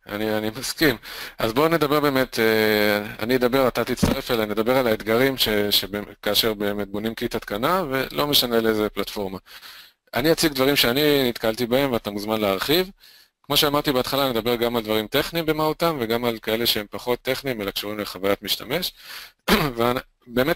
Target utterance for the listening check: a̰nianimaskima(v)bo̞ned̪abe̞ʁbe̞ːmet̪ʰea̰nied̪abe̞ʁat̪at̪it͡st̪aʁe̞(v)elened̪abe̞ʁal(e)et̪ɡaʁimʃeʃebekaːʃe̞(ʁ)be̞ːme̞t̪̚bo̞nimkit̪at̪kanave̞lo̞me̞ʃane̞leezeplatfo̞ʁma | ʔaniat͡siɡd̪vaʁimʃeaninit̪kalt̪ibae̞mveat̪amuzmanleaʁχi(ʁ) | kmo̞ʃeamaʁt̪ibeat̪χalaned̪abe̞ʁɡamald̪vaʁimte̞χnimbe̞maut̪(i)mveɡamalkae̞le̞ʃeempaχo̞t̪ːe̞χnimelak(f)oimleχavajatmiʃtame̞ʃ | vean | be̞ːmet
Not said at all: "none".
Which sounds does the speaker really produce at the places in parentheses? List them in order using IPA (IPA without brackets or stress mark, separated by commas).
z, f, a, ʁ, v, a, ʃ